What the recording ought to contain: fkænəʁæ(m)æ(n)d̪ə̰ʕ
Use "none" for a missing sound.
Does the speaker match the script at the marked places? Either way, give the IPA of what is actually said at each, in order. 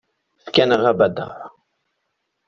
b, none

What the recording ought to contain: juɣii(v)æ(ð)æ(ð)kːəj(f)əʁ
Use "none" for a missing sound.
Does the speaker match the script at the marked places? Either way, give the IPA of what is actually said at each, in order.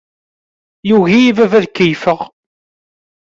v, v, ð, f

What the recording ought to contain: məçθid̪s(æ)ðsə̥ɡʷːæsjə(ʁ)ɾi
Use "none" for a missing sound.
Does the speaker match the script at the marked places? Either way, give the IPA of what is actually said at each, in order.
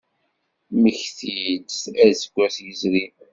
æ, z

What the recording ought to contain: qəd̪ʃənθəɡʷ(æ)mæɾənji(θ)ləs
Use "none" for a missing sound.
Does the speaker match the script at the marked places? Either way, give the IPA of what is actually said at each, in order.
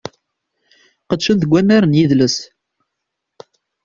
æ, ð

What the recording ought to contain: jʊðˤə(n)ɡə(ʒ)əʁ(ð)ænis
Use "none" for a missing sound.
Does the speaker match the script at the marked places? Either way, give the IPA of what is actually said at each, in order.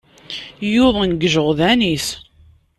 n, ʒ, ð

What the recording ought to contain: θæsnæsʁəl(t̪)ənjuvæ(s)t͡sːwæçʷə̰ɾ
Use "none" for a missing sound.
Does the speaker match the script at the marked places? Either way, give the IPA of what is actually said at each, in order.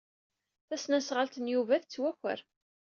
t̪, θ

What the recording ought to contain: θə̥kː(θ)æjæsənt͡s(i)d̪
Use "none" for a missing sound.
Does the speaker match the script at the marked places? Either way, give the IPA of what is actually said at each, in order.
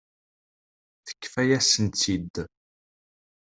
f, i

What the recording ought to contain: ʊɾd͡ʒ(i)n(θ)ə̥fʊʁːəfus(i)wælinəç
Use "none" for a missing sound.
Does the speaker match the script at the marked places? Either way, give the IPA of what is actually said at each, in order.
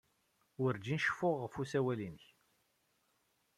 i, ʃ, æ

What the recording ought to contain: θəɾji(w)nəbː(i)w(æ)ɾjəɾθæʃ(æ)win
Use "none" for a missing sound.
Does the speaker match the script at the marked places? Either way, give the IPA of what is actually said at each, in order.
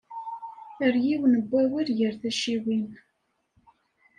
w, æ, i, i

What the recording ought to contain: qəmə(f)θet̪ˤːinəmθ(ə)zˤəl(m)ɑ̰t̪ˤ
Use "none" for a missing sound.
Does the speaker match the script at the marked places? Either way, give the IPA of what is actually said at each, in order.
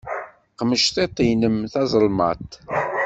ʃ, ɑ, m

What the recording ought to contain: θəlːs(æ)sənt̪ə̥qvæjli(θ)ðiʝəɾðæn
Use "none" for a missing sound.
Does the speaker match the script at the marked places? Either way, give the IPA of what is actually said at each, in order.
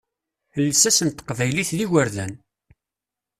æ, θ

